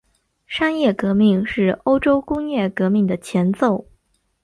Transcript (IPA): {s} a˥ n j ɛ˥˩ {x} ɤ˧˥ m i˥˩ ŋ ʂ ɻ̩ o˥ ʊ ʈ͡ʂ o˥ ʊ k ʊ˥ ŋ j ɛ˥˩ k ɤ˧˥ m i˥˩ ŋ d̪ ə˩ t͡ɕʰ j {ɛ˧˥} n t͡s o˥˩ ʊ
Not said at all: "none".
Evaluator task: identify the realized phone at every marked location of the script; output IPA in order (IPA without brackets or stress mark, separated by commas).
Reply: ʂ, k, ɛ˧˥